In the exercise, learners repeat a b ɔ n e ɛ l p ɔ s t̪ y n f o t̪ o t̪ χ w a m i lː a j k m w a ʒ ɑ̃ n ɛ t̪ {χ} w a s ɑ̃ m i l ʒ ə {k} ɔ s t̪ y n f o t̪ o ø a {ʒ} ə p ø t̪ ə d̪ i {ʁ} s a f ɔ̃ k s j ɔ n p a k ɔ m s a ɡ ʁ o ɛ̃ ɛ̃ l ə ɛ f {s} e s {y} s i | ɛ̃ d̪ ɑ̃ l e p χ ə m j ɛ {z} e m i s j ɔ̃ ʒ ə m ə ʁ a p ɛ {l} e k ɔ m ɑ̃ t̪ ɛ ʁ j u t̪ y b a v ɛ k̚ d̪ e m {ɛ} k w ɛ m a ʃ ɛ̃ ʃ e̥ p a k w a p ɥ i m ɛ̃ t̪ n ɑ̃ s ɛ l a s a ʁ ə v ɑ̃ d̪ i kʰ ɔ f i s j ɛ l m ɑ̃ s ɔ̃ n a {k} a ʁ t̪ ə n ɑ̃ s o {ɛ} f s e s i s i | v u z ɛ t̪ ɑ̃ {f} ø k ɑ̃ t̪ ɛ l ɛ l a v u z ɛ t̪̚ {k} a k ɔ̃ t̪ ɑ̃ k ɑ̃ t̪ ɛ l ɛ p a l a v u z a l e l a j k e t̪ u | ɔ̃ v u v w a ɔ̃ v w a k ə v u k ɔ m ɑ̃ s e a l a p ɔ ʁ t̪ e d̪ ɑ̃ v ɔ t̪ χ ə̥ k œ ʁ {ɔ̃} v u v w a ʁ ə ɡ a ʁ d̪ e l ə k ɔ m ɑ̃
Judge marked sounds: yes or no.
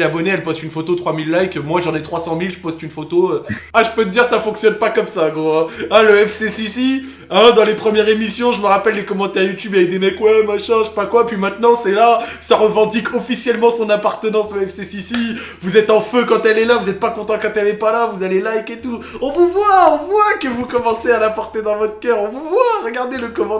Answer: yes, no, yes, yes, yes, no, no, no, yes, no, yes, yes, no, yes

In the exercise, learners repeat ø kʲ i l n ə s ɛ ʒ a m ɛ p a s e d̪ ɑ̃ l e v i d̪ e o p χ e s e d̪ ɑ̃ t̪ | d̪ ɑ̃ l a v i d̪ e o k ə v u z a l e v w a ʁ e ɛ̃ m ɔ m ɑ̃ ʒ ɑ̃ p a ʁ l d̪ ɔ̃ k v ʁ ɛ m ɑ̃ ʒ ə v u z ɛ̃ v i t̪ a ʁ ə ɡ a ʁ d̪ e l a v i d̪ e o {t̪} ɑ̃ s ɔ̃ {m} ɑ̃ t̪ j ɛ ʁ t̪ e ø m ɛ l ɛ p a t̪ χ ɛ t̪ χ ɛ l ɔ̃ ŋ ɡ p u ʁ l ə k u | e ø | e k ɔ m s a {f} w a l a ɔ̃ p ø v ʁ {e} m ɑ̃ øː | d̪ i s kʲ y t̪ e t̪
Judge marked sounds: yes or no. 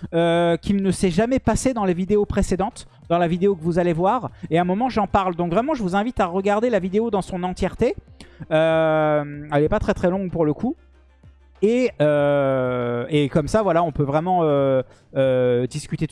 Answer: no, no, no, no

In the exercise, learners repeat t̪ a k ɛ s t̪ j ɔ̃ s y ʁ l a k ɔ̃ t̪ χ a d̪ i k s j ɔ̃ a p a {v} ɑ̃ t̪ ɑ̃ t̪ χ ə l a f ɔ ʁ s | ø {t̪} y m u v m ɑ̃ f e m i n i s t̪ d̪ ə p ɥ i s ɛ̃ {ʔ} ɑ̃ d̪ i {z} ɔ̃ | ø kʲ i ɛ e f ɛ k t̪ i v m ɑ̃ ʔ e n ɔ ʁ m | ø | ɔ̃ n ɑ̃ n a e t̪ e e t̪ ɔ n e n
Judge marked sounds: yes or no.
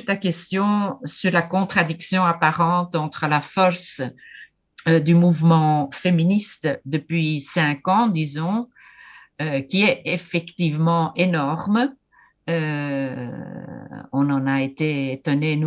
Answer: no, no, no, yes

